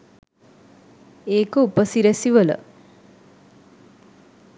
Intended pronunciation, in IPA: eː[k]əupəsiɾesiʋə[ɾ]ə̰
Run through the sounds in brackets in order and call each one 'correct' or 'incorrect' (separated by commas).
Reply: correct, incorrect